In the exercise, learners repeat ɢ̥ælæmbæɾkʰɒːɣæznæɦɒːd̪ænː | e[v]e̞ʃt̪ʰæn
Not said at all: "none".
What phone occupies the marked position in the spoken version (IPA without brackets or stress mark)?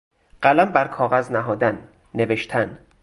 v